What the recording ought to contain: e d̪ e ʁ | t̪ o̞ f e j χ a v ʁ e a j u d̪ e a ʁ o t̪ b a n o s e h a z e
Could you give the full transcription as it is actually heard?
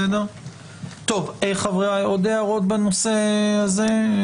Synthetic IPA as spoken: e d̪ e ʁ | t̪ o̞ v e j χ a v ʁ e a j o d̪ e a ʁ o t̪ b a n o s e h a z e